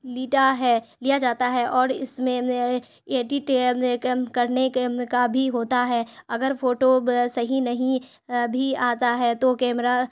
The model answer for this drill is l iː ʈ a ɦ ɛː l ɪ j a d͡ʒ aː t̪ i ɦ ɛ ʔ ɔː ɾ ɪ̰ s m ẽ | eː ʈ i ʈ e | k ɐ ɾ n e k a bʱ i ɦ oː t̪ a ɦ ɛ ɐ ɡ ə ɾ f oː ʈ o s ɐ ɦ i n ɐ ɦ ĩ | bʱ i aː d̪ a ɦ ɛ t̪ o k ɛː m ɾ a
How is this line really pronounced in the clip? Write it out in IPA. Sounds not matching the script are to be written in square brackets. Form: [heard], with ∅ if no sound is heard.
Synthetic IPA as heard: l iː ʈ a ɦ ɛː l [i] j a d͡ʒ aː t̪ [a] ɦ ɛ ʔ ɔː ɾ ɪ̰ s m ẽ | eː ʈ i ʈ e | k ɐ ɾ n e k a bʱ i ɦ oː t̪ a ɦ ɛ ɐ ɡ ə ɾ f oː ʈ o s ɐ ɦ i n ɐ ɦ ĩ | bʱ i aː [t̪] a ɦ ɛ t̪ o k ɛː m ɾ a